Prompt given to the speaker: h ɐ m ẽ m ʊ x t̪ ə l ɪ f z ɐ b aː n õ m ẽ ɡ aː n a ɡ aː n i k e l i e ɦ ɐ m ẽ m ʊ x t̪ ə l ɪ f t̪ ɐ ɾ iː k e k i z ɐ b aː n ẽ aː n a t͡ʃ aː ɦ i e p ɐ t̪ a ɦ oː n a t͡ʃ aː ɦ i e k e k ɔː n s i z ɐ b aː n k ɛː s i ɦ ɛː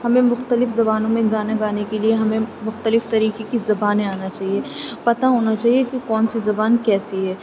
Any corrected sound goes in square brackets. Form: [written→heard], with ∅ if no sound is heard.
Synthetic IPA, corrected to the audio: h ɐ m ẽ m ʊ x t̪ ə l ɪ f z ɐ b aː n õ m ẽ ɡ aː n a ɡ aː n [i→e] k e l i e ɦ ɐ m ẽ m ʊ x t̪ ə l ɪ f t̪ ɐ ɾ iː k e k i z ɐ b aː n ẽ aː n a t͡ʃ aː ɦ i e p ɐ t̪ a ɦ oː n a t͡ʃ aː ɦ i e k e k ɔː n s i z ɐ b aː n k ɛː s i ɦ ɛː